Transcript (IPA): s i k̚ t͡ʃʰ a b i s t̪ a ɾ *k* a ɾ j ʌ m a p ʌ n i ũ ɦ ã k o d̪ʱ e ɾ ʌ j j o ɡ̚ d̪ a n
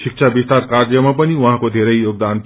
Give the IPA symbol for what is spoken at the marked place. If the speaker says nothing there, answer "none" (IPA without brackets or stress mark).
k